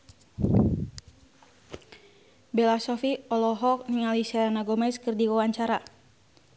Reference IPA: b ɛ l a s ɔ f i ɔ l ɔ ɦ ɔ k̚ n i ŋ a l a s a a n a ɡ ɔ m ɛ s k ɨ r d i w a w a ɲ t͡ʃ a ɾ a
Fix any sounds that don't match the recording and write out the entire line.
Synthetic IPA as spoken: b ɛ l a s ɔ f i ɔ l ɔ ɦ ɔ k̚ n i ŋ a l i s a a n a ɡ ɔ m ɛ s k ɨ r d i w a w a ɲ t͡ʃ a ɾ a

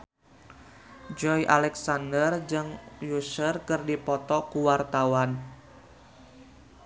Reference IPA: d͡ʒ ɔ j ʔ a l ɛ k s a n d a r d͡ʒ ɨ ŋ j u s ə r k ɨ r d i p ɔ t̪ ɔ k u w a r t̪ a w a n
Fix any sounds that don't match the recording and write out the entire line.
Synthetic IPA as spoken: d͡ʒ ɔ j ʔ a l ɛ k s a n d ə r d͡ʒ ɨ ŋ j u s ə r k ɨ r d i p ɔ t̪ ɔ k u w a r t̪ a w a n

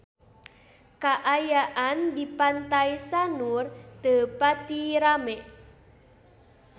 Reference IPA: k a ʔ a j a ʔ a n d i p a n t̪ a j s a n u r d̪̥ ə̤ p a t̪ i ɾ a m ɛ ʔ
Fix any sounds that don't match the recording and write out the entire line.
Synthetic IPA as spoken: k a ʔ a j a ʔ a n d i p a n t̪ a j s a n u r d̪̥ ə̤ p a t̪ i ɾ a m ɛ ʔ

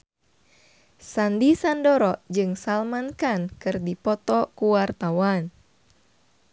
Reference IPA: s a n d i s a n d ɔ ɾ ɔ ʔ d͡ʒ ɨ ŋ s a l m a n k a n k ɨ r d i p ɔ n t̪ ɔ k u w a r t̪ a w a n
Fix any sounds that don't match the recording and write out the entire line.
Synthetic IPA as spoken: s a n d i s a n d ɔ ɾ ɔ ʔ d͡ʒ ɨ ŋ s a l m a n k a n k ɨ r d i p ɔ t̪ ɔ k u w a r t̪ a w a n

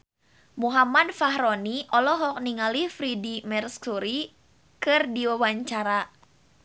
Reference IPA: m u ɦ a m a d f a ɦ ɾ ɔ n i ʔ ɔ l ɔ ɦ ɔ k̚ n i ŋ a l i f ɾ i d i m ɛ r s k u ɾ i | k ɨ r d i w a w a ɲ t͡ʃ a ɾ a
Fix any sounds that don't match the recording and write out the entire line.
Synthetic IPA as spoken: m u ɦ a m a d f a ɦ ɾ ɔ n i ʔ ɔ l ɔ ɦ ɔ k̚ n i ŋ a l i f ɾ i d i m ɛ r s k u ɾ i | k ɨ r d i w a w a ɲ t͡ʃ a ɾ a

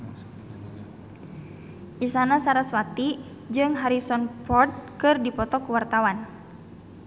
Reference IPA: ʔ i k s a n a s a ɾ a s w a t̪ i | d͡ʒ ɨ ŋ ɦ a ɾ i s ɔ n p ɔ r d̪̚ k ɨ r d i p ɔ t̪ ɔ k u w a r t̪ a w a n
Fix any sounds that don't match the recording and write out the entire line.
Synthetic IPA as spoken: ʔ i s a n a s a ɾ a s w a t̪ i | d͡ʒ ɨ ŋ ɦ a ɾ i s ɔ n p ɔ r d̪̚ k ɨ r d i p ɔ t̪ ɔ k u w a r t̪ a w a n

